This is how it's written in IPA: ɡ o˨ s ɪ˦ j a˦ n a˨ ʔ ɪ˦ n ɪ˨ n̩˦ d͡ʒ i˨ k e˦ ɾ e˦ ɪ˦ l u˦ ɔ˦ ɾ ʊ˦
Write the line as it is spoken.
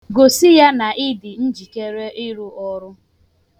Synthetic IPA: ɡ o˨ s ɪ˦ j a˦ n a˨ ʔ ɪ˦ d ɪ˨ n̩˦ d͡ʒ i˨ k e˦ ɾ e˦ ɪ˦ ɾ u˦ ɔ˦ ɾ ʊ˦